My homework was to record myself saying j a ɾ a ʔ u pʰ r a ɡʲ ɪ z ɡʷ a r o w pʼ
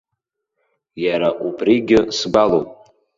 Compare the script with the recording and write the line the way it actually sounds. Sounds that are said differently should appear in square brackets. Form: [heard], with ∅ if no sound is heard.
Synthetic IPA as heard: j a ɾ a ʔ u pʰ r [i] ɡʲ ɪ [s] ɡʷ a [l] o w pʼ